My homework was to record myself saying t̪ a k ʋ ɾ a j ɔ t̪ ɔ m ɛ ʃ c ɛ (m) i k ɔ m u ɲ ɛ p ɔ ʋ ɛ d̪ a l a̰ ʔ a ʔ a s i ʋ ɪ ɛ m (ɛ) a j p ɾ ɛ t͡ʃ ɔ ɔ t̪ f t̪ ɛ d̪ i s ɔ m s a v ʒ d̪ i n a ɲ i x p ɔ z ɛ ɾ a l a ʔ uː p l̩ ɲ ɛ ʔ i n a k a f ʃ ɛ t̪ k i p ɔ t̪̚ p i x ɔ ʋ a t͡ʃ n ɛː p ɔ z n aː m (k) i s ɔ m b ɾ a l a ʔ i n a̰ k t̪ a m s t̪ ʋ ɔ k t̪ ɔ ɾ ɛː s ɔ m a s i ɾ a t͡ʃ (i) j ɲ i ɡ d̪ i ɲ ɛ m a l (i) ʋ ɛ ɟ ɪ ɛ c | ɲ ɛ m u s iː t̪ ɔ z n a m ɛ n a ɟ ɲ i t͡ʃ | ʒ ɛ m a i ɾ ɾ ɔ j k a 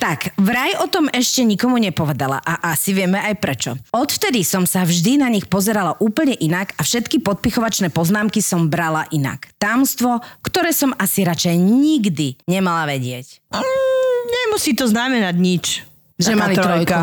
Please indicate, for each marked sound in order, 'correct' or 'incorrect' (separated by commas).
incorrect, correct, correct, incorrect, incorrect